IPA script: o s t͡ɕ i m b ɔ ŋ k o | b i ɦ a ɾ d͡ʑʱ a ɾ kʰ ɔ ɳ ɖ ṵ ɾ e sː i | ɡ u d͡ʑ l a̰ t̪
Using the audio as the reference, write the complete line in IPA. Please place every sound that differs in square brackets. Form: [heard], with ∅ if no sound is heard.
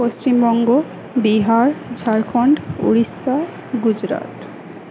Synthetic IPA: o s t͡ɕ i m b ɔ ŋ [ɡ] o | b i ɦ a ɾ d͡ʑʱ a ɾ kʰ ɔ ɳ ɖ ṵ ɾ [i] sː [a] | ɡ u d͡ʑ [ɾ] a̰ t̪